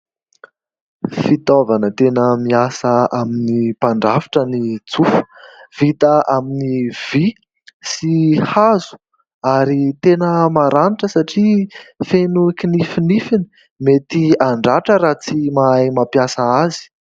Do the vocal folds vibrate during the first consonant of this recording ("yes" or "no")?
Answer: no